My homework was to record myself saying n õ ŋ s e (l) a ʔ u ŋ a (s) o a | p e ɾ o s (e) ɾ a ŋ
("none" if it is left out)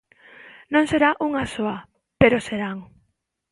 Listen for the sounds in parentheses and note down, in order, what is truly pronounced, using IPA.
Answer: ɾ, s, e

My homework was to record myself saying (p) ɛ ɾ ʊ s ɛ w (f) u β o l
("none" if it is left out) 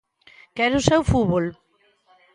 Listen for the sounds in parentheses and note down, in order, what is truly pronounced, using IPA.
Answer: k, f

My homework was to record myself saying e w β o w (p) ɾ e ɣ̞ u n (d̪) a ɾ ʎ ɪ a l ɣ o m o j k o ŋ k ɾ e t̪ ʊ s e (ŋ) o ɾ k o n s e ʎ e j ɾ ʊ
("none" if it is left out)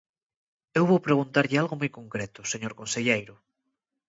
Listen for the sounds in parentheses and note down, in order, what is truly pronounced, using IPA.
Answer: p, t̪, ɲ

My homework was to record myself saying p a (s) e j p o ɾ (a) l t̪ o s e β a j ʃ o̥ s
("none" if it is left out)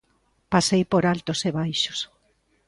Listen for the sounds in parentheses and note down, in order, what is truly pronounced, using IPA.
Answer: s, a

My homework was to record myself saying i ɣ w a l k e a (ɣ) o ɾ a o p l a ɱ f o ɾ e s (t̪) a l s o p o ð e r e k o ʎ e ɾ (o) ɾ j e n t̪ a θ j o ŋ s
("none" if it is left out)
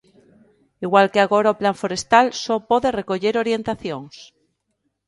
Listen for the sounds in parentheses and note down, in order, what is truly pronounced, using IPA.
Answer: ɣ, t̪, o

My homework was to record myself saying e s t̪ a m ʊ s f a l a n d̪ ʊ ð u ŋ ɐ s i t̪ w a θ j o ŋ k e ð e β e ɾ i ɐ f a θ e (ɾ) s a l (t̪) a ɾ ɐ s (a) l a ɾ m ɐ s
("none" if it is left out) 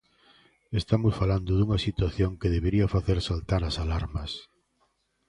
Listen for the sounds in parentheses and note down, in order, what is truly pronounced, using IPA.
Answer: ɾ, t̪, a

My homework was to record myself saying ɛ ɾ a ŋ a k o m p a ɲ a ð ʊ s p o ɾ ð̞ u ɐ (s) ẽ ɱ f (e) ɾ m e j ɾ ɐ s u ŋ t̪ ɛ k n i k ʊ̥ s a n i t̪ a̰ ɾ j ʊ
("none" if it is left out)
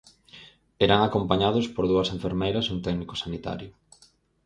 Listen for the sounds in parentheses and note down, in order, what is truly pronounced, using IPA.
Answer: s, e

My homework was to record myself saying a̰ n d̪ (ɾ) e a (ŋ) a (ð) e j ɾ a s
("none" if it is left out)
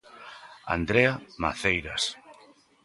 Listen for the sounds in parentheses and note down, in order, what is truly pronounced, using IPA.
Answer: ɾ, m, θ

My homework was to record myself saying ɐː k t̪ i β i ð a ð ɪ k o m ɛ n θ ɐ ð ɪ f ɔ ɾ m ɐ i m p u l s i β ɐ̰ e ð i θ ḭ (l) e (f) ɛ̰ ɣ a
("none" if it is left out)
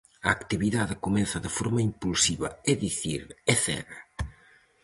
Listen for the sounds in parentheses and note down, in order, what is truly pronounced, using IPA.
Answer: ɾ, θ

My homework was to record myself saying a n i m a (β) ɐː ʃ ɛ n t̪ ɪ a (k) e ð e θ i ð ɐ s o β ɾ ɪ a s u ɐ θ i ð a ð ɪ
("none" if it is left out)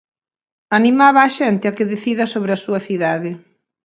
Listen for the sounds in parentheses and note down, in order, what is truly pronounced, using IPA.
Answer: β, k

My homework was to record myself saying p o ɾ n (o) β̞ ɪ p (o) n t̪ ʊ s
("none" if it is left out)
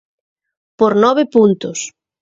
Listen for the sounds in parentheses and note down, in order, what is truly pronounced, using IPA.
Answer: ɔ, u

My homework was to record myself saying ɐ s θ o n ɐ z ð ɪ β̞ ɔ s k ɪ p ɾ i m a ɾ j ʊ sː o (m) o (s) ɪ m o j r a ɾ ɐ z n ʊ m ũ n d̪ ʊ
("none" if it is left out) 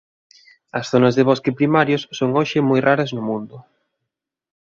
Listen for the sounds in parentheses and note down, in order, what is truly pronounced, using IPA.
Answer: ŋ, ʃ

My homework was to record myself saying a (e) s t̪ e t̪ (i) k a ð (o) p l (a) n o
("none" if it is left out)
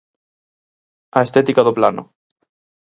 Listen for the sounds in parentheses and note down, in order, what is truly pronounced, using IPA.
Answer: e, i, o, a

